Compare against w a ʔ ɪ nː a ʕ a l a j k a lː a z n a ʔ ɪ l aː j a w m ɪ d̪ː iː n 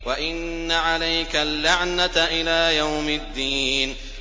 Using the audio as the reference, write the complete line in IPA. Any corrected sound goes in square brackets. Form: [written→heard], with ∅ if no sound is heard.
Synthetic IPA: w a ʔ ɪ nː a ʕ a l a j k a lː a [z→ʕ] n a ʔ ɪ l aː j a w m ɪ d̪ː iː n